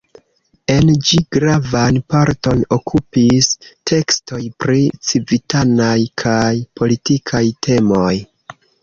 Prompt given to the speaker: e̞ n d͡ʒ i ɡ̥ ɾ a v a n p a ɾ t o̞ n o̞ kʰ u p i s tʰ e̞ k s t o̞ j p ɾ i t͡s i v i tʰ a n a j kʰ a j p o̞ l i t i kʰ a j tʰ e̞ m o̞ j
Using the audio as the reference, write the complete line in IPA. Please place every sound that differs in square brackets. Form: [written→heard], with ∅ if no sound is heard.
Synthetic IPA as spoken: e̞ n d͡ʒ i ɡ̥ ɾ a v a n p a ɾ t o̞ n o̞ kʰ u p i s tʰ e̞ k s t o̞ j p ɾ i t͡s i v i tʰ a n a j kʰ a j p o̞ l i t i kʰ a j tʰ e̞ m o̞ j